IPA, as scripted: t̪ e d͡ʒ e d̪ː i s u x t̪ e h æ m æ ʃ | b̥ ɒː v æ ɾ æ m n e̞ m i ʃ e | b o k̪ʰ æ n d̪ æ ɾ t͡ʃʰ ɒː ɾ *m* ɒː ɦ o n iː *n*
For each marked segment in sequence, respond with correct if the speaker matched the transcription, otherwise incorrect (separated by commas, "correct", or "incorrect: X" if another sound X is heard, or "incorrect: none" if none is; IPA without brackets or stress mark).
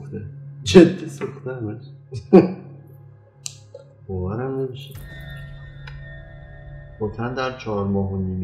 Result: correct, incorrect: m